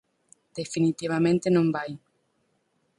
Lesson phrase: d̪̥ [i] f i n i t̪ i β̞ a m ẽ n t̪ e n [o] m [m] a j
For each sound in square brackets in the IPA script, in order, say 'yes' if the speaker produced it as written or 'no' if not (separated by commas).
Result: no, no, no